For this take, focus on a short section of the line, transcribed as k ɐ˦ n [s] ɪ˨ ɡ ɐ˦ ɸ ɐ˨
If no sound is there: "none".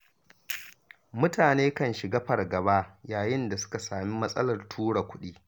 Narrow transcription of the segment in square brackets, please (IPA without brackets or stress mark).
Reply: ʃ